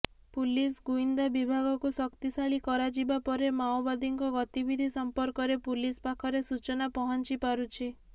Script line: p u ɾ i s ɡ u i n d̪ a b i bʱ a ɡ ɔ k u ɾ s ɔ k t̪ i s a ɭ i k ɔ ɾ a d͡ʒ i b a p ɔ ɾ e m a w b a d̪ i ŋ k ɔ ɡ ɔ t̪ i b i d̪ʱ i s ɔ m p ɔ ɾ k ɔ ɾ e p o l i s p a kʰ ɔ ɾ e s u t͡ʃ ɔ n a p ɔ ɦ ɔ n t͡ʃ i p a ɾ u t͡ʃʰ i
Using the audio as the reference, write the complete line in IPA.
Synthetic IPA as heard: p u l i s ɡ u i n d̪ a b i bʱ a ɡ ɔ k u s ɔ k t̪ i s a ɭ i k ɔ ɾ a d͡ʒ i b a p ɔ ɾ e m a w b a d̪ i ŋ k ɔ ɡ ɔ t̪ i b i d̪ʱ i s ɔ m p ɔ ɾ k ɔ ɾ e p u l i s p a kʰ ɔ ɾ e s u t͡ʃ ɔ n a p ɔ ɦ ɔ n t͡ʃ i p a ɾ u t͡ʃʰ i